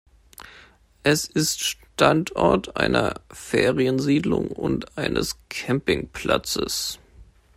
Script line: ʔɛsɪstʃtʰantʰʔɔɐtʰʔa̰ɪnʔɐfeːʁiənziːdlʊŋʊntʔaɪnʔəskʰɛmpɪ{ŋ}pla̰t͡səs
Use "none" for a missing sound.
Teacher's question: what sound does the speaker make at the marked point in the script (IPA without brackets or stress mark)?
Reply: ŋ